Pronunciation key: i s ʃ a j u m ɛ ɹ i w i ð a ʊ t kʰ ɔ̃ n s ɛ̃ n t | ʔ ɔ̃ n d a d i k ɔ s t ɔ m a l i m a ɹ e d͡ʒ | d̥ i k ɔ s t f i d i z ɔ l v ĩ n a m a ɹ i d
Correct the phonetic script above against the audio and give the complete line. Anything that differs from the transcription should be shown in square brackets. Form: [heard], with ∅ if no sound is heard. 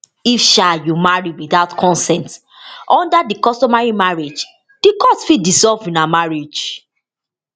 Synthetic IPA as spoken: i [f] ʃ a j u m [a] ɹ i w i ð a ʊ t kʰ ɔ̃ n s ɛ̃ n t | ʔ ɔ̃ n d a d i k ɔ s t ɔ m a [ɹ] i m a ɹ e d͡ʒ | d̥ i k ɔ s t f i d i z ɔ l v ĩ n a m a ɹ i [d͡ʒ]